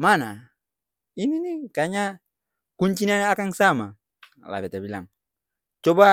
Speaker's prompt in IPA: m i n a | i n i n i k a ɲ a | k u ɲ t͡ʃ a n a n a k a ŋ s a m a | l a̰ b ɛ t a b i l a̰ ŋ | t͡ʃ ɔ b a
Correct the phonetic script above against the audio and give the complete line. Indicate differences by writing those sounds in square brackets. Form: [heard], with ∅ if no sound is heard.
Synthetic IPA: m [a] n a | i n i n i k a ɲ a | k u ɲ t͡ʃ [i] n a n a k a ŋ s a m a | l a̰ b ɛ t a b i l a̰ ŋ | t͡ʃ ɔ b a